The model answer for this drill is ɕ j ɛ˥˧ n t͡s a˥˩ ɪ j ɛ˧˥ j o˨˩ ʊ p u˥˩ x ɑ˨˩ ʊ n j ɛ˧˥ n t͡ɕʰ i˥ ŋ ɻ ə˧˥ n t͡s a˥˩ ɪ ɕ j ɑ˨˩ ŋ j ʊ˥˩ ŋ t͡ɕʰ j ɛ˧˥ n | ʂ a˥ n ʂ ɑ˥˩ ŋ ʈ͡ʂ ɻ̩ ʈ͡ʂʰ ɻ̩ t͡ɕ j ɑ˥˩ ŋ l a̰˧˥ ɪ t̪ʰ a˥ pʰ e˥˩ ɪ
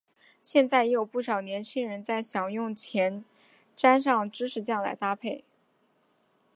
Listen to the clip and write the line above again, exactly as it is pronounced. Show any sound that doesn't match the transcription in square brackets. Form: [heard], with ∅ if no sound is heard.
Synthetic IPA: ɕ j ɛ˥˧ n t͡s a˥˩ ɪ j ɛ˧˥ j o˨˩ ʊ p u˥˩ [ʂ] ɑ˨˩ ʊ n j ɛ˧˥ n t͡ɕʰ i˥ ŋ ɻ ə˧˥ n t͡s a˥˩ ɪ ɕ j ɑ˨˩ ŋ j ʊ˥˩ ŋ t͡ɕʰ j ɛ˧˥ n | [ʈ͡ʂ] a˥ n ʂ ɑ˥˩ ŋ ʈ͡ʂ ɻ̩ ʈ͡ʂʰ ɻ̩ t͡ɕ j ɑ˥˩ ŋ l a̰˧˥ ɪ [t̪] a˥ pʰ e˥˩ ɪ